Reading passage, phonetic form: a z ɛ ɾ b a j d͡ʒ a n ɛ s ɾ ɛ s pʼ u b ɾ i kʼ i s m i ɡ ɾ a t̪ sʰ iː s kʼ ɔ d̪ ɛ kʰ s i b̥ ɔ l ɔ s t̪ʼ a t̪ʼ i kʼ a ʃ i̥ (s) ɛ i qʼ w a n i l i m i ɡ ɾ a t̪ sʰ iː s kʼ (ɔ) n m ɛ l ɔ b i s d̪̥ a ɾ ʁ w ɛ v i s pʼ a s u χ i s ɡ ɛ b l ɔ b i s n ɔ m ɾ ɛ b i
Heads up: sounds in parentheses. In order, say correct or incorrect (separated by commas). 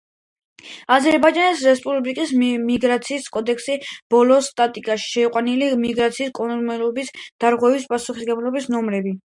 incorrect, correct